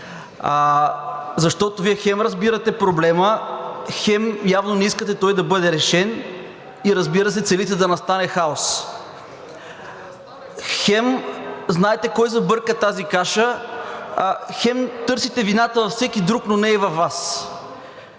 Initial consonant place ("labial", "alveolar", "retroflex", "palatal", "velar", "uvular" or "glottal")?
alveolar